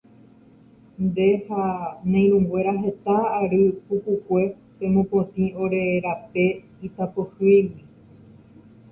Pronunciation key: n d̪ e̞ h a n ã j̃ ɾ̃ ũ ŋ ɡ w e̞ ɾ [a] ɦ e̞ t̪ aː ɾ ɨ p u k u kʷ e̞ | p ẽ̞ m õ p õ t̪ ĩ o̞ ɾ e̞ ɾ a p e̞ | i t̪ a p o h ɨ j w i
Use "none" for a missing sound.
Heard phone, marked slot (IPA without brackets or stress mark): a